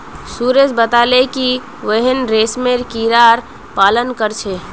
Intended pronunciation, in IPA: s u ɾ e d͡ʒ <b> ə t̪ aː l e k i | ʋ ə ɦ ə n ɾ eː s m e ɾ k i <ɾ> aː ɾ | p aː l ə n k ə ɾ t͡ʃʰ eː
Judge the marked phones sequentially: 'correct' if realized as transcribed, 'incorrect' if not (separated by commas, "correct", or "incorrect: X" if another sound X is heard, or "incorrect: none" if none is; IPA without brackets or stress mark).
correct, correct